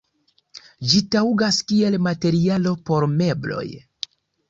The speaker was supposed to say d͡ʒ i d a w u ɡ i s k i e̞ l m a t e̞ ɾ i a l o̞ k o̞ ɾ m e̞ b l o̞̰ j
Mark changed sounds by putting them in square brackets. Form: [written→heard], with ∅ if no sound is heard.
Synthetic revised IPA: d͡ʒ i [d→t] a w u ɡ [i→a] s k i e̞ l m a t e̞ ɾ i a l o̞ [k→p] o̞ ɾ m e̞ b l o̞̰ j